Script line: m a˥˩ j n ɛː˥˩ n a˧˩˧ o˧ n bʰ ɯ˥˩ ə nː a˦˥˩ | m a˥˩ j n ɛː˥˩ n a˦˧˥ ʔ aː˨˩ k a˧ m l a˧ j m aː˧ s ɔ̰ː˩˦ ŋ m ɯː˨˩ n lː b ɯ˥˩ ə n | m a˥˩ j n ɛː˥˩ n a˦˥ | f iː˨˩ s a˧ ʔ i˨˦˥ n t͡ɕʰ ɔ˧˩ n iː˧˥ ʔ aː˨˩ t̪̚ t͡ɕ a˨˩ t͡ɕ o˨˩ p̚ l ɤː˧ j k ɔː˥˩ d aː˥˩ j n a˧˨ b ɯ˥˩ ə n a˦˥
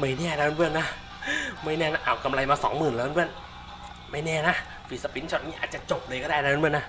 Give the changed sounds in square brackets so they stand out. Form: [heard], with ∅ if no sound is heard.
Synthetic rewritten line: m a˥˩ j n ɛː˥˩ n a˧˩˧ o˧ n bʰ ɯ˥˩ ə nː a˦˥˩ | m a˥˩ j n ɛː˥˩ n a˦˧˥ ʔ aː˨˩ k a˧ m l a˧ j m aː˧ s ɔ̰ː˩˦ ŋ m ɯː˨˩ n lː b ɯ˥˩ ə n | m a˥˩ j n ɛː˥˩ n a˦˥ | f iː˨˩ s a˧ [p] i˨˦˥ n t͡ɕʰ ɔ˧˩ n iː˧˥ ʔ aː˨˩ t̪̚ t͡ɕ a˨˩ t͡ɕ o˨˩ p̚ l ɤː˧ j k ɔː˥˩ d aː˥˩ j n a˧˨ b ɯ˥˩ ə n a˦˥